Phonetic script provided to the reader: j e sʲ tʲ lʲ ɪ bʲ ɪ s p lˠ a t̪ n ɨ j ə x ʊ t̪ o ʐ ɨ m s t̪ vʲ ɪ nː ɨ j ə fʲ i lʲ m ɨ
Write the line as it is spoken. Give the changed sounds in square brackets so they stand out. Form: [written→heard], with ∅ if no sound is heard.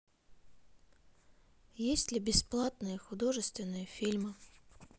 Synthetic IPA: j e sʲ tʲ lʲ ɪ bʲ ɪ s p lˠ a t̪ n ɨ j ə x ʊ [t̪→d̪] o ʐ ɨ [m→∅] s t̪ vʲ ɪ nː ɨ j ə fʲ i lʲ m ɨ